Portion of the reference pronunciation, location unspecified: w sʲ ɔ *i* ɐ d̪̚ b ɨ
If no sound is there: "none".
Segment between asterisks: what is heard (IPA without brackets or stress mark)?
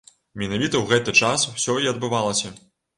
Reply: i